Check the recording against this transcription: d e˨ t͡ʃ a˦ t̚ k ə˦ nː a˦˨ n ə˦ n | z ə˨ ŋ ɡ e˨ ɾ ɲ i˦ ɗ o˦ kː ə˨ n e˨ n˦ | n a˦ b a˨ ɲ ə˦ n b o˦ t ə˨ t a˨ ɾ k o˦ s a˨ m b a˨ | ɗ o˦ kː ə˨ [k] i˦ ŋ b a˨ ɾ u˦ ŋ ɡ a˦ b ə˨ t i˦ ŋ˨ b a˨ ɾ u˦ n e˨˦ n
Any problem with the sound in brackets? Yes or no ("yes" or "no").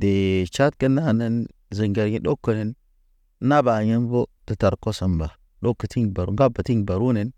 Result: yes